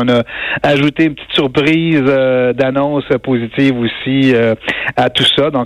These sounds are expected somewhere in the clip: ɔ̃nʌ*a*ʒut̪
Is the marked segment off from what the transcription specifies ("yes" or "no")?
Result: no